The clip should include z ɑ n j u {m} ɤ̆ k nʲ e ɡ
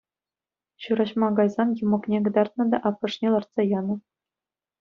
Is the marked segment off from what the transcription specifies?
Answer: no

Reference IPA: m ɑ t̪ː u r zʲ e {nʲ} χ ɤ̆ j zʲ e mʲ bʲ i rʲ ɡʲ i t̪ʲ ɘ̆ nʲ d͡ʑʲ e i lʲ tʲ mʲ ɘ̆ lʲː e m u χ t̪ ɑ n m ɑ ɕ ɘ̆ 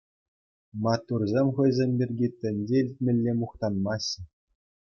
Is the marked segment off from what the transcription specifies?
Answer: yes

